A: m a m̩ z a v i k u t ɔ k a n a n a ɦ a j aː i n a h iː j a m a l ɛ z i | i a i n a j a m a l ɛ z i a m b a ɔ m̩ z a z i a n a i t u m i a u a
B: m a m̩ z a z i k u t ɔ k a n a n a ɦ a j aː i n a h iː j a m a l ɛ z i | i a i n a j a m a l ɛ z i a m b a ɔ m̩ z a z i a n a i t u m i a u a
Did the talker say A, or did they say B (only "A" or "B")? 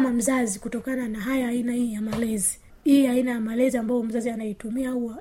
B